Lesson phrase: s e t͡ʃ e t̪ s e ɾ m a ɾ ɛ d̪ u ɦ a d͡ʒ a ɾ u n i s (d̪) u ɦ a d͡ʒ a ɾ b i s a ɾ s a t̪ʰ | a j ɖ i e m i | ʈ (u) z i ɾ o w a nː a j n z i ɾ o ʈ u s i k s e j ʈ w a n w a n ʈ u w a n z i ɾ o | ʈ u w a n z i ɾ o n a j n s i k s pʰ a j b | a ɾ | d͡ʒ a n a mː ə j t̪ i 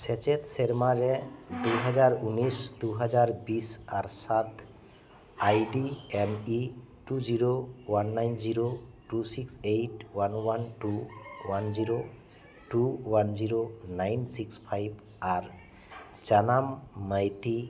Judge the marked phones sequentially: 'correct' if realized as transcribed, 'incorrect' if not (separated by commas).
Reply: correct, correct